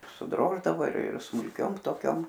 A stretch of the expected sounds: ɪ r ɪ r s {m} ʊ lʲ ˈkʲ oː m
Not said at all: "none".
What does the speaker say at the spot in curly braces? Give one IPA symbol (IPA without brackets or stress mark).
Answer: m